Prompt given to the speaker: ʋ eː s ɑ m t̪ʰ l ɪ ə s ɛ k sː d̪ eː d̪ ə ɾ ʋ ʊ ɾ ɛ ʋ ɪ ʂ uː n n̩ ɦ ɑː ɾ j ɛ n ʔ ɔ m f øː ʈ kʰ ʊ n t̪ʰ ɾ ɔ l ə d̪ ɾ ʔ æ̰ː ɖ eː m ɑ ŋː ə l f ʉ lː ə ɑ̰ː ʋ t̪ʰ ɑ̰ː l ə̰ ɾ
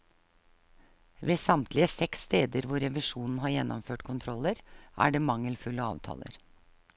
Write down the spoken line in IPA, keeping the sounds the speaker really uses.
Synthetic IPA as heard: ʋ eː s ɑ m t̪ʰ l ɪ ə s ɛ k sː t̪ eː d̪ ə ɾ ʋ ʊ ɾ ɛ ʋ ɪ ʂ uː n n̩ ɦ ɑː ɾ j ɛ n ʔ ɔ m f øː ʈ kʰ ʊ n t̪ʰ ɾ ɔ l ə ɾ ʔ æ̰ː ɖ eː m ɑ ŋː ə l f ʉ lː ə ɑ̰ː ʋ t̪ʰ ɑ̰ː l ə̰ ɾ